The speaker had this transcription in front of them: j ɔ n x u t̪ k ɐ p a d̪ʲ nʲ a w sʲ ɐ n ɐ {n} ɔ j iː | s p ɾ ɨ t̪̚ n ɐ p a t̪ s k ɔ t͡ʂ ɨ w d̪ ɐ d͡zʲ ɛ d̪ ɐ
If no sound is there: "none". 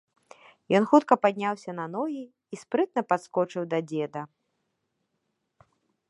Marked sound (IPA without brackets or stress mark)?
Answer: n